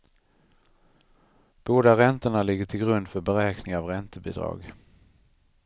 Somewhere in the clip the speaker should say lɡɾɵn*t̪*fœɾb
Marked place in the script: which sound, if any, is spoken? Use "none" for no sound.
d̪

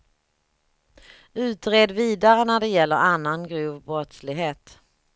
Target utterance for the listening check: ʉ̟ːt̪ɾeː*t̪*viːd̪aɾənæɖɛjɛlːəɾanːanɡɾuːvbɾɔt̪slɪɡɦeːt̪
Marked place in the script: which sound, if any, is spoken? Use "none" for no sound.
d̪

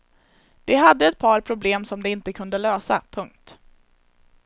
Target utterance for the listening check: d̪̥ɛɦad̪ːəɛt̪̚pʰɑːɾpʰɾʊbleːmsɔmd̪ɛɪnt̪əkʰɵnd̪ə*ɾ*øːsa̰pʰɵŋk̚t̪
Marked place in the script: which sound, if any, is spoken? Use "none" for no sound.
l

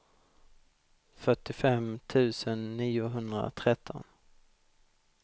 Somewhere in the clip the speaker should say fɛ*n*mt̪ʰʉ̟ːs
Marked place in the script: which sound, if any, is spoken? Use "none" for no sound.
none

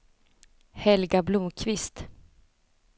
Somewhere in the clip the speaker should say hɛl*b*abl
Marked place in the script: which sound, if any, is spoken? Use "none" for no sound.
ɡ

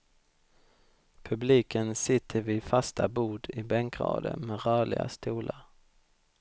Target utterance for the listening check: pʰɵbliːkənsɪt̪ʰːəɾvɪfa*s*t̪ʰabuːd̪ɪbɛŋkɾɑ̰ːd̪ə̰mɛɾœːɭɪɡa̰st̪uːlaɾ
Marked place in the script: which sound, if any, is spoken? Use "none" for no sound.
s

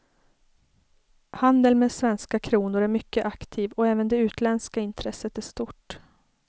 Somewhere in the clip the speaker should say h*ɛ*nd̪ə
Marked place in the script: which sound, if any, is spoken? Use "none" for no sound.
a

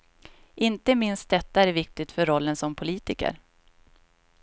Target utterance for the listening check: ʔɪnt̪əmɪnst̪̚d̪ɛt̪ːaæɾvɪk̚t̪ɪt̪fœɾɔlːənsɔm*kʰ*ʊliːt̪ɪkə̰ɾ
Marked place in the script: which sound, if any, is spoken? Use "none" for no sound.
pʰ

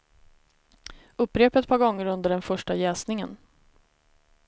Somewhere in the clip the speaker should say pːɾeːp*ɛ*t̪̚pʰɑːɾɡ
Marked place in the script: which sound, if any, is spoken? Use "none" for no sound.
ɛ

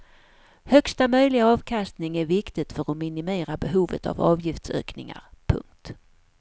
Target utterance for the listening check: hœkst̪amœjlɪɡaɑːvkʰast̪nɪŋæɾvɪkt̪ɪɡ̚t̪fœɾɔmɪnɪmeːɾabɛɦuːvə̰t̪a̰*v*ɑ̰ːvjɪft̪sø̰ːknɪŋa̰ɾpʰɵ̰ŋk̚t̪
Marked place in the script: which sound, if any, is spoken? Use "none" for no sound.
v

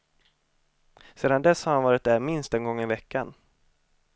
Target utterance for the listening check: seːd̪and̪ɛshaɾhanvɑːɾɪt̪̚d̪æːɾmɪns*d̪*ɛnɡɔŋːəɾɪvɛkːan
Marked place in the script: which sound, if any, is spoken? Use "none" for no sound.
t̪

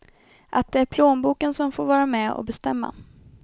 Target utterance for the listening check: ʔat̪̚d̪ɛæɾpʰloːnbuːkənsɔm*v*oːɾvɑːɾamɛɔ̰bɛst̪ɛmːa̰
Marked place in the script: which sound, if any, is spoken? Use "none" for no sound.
f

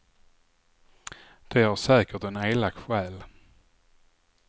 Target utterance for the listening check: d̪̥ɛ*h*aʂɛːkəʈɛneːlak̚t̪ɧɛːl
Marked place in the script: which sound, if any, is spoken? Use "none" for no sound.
h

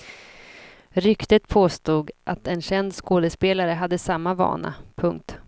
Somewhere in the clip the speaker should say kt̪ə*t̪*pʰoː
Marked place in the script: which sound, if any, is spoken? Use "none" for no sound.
t̪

